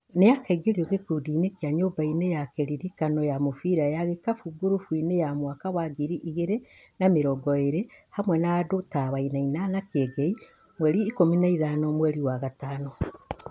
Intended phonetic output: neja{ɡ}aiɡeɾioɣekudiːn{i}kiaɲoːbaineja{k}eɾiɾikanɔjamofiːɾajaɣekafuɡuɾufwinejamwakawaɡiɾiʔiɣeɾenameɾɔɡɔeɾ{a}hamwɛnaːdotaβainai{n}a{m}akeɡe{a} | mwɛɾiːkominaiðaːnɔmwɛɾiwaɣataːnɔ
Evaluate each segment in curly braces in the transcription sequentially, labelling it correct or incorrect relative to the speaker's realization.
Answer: incorrect: k, incorrect: e, correct, incorrect: e, correct, incorrect: n, incorrect: i

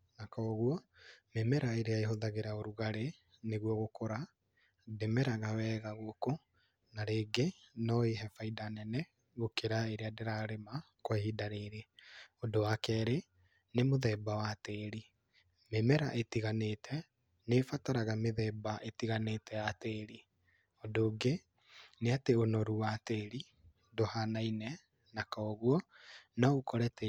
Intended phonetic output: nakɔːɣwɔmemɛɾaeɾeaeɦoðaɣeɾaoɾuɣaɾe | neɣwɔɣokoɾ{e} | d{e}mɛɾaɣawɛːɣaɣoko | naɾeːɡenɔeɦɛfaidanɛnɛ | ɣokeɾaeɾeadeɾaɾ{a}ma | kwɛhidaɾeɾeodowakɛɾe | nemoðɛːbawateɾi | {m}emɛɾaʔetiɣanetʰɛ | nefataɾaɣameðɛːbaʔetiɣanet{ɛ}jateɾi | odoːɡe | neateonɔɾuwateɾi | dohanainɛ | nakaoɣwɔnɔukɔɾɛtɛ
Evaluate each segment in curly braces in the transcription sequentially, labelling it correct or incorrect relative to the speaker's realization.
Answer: incorrect: a, correct, incorrect: e, correct, correct

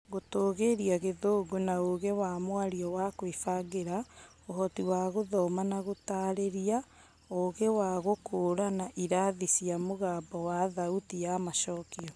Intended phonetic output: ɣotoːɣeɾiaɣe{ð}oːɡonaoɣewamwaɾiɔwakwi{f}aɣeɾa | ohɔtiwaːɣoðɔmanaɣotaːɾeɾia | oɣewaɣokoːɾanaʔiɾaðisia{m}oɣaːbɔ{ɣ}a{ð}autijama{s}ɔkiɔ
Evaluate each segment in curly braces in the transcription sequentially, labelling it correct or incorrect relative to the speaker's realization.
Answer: correct, correct, correct, incorrect: w, correct, incorrect: ʃ

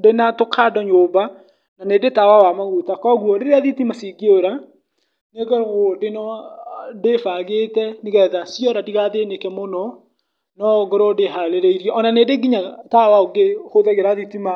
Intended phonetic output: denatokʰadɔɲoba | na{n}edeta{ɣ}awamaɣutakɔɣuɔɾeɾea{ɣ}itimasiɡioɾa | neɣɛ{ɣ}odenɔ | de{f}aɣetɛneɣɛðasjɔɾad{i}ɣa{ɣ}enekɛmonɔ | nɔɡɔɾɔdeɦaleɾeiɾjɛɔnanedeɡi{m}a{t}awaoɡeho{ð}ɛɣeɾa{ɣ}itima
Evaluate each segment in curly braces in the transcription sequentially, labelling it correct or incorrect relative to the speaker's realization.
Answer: correct, incorrect: w, incorrect: ð, correct, correct, correct, incorrect: ð, incorrect: ɲ, correct, correct, incorrect: ð

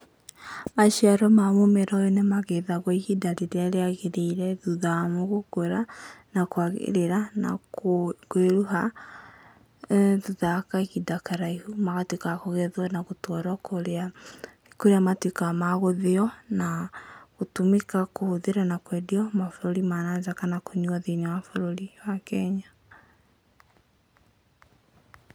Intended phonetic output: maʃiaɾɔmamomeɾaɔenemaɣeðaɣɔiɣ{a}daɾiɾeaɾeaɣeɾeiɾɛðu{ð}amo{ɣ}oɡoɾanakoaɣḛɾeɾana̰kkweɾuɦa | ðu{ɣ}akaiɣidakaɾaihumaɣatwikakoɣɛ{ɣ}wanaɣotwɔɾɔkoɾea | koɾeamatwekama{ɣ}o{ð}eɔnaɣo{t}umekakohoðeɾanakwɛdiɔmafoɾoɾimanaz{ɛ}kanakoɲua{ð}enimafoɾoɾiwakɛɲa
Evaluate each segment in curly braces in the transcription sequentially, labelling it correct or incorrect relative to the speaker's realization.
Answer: incorrect: i, correct, correct, incorrect: ð, incorrect: ð, correct, correct, correct, incorrect: a, correct

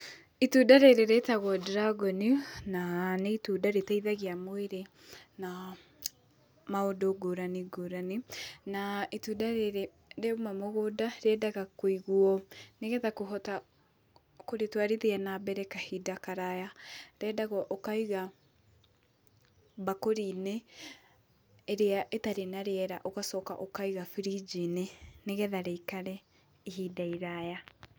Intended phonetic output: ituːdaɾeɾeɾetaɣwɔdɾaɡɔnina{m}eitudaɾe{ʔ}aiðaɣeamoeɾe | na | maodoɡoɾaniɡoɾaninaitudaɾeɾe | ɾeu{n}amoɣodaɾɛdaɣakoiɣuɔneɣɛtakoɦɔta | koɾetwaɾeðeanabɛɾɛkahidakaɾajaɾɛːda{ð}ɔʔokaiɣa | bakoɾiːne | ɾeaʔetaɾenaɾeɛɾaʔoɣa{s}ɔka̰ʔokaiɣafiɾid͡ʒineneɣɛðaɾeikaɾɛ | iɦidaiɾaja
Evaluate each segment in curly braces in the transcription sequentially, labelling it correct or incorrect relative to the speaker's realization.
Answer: incorrect: n, incorrect: t, incorrect: m, incorrect: ɣ, correct

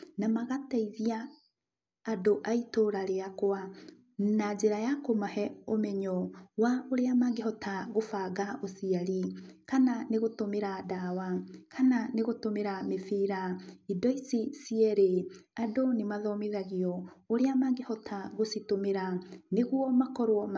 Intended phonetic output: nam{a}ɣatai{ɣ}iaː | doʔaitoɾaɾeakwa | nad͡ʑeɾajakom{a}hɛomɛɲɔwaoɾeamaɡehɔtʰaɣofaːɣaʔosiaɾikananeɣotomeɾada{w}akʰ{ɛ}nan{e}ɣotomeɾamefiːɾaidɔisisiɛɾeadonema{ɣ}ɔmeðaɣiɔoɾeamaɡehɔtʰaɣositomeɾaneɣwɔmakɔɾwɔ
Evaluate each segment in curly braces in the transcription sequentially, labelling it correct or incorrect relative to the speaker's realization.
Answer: correct, incorrect: ð, correct, correct, incorrect: a, correct, incorrect: ð

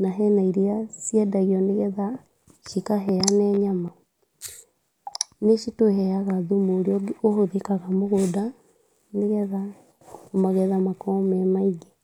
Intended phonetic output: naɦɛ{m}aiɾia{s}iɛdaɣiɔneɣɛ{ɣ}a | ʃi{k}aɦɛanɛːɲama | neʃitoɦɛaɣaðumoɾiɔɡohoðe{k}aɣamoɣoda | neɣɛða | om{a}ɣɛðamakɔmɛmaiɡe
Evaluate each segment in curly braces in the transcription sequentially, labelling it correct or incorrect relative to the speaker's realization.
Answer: incorrect: n, correct, incorrect: ð, correct, correct, correct

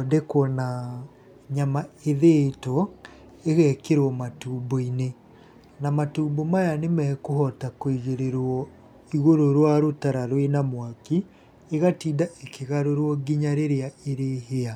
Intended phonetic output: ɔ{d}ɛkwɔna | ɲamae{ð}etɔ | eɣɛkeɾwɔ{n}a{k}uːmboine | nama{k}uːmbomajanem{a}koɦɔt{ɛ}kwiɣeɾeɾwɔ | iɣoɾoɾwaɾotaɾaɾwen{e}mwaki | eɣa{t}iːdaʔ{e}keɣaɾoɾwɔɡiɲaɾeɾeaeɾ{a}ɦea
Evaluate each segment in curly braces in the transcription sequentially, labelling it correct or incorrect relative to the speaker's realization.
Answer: correct, correct, incorrect: m, incorrect: t, incorrect: t, incorrect: ɛ, incorrect: a, incorrect: a, correct, correct, incorrect: e

